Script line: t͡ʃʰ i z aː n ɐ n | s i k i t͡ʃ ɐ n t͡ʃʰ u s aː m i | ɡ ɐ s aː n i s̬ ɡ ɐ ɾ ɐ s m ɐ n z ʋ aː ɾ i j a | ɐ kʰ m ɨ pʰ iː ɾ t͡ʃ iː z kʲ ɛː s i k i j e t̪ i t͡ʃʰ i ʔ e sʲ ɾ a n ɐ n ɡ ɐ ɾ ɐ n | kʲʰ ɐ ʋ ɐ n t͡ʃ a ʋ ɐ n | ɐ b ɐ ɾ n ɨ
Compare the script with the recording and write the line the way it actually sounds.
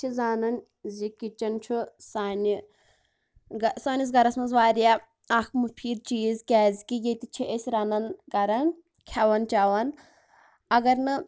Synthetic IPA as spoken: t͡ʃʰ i z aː n ɐ n | z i k i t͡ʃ ɐ n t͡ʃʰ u s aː n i | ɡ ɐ s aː n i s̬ ɡ ɐ ɾ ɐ s m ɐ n z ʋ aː ɾ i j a | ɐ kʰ m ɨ pʰ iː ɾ t͡ʃ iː z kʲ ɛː z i k i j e t̪ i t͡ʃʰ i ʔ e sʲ ɾ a n ɐ n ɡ ɐ ɾ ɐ n | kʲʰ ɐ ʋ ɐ n t͡ʃ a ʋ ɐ n | ɐ ɡ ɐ ɾ n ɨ